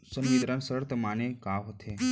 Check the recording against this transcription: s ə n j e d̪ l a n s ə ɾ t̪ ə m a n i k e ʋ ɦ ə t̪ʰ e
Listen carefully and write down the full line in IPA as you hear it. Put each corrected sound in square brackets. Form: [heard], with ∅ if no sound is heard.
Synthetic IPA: s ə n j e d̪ [ɾ] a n s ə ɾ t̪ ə m a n [e] k [a] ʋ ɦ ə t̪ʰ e